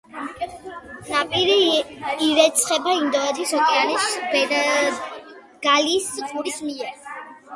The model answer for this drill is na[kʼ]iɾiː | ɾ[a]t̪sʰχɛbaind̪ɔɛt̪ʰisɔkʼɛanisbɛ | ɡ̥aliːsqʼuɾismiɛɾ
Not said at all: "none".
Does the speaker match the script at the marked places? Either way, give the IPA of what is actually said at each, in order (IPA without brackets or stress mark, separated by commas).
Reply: pʼ, ɛ